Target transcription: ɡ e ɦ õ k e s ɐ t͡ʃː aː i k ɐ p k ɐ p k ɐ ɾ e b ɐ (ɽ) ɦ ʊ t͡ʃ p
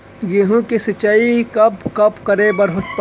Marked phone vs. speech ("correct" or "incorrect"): incorrect